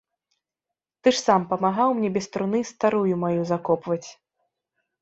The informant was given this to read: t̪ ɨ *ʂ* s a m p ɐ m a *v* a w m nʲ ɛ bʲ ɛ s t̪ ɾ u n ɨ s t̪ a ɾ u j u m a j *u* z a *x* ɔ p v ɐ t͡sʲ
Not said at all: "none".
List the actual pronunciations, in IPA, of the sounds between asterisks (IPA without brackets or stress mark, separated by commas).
ʂ, ɣ, u, k